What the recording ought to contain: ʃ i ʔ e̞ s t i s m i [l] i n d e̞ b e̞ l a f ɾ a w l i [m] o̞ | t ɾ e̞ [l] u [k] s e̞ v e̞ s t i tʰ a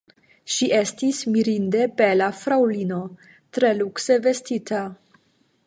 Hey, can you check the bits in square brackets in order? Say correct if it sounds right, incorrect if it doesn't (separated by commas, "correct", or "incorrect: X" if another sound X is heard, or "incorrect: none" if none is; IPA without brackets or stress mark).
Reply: incorrect: ɾ, incorrect: n, correct, correct